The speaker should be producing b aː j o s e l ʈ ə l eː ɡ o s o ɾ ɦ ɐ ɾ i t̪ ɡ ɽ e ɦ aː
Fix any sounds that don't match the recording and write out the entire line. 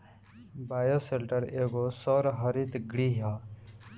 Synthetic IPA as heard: b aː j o s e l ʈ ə ɾ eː ɡ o s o ɾ ɦ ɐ ɾ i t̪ ɡ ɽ i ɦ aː